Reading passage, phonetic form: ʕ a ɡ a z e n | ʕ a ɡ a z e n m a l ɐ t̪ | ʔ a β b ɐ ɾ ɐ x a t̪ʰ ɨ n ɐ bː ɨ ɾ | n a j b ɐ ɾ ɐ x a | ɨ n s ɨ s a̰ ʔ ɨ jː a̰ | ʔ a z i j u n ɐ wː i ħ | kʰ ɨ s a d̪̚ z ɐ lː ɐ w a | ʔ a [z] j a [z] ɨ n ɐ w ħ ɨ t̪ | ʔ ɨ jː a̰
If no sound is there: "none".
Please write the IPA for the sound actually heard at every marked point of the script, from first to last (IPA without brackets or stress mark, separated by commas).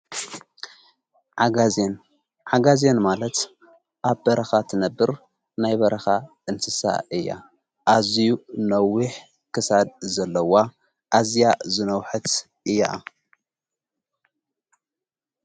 z, z